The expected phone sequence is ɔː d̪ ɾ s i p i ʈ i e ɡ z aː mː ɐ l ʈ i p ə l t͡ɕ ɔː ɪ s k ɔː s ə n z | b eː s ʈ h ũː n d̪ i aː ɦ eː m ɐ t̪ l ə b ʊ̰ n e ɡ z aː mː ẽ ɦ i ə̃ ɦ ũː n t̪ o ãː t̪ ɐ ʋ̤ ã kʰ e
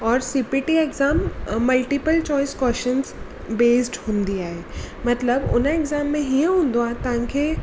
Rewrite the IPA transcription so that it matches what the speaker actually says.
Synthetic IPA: ɔː ɾ s i p i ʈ i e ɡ z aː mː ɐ l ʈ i p ə l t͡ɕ ɔː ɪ s k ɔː ʃ ə n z | b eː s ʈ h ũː n d̪ i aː ɦ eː m ɐ t̪ l ə b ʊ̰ n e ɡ z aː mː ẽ ɦ i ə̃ ɦ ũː n d̪ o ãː t̪ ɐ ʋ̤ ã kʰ e